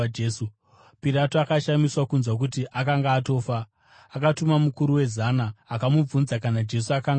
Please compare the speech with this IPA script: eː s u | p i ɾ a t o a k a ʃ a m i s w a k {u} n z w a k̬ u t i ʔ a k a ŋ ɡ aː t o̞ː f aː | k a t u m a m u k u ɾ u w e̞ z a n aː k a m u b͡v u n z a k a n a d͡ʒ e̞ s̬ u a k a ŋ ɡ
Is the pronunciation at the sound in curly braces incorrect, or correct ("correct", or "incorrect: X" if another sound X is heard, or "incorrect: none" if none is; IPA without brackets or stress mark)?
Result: correct